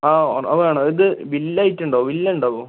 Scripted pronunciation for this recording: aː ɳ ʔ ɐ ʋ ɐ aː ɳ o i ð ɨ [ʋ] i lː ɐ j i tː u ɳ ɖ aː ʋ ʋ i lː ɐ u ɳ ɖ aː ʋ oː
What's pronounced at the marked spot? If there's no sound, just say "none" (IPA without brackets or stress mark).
ʋ